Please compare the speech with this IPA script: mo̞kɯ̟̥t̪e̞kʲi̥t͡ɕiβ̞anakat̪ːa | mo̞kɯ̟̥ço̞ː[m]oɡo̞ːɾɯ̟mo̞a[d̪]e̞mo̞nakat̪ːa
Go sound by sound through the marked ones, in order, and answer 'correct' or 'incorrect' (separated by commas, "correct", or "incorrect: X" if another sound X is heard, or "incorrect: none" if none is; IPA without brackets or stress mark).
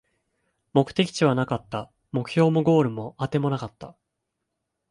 correct, incorrect: t̪